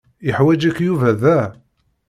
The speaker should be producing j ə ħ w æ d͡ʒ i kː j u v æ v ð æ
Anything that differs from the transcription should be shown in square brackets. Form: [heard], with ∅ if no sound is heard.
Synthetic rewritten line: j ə ħ w æ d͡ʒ [æ] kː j u v æ [∅] ð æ